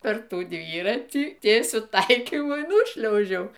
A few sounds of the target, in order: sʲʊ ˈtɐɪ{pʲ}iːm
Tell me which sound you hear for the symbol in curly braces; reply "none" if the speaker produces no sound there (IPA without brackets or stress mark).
kʲ